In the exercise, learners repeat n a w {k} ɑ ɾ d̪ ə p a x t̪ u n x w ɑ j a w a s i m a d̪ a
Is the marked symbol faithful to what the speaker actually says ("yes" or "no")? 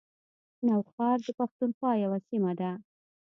no